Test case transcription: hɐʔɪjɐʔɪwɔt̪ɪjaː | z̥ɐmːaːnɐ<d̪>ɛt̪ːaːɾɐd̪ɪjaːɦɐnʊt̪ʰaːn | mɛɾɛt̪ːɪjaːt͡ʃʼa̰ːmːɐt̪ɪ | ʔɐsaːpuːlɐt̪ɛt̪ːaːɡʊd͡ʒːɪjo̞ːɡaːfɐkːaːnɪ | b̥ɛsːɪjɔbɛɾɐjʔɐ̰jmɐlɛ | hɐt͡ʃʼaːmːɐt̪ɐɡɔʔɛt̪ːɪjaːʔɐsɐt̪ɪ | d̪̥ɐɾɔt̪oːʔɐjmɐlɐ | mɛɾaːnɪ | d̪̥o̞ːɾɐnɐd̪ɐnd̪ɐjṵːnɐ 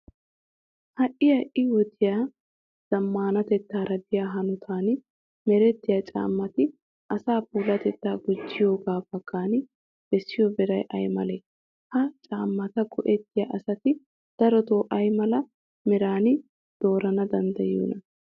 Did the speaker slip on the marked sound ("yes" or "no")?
yes